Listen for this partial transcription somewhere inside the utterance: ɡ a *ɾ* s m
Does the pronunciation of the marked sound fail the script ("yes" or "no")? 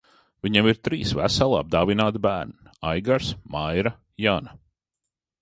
no